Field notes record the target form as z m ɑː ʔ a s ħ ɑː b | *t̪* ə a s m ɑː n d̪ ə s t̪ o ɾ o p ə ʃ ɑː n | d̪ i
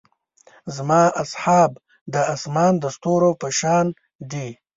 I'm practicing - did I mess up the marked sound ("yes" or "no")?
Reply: yes